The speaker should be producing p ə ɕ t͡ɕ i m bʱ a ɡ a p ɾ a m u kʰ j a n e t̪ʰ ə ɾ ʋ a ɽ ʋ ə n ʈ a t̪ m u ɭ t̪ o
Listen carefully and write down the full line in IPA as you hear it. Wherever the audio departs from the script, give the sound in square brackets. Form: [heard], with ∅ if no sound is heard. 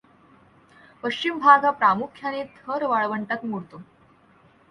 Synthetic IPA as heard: p ə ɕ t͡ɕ i m bʱ a ɡ a p ɾ a m u kʰ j a n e t̪ʰ ə ɾ ʋ a [ɭ] ʋ ə [ɳ] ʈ a t̪ m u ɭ t̪ o